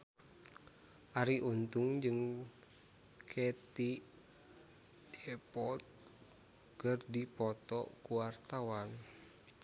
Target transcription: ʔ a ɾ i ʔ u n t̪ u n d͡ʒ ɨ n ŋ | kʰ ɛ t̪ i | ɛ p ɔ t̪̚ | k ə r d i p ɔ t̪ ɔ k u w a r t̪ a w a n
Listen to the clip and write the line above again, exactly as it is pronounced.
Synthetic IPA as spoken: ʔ a ɾ i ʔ u n t̪ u ŋ d͡ʒ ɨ ŋ | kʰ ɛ t̪ i | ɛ p ɔ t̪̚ | k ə r d i p ɔ t̪ ɔ k u w a r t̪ a w a n